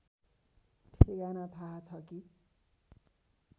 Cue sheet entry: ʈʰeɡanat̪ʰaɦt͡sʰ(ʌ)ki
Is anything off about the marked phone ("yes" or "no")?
no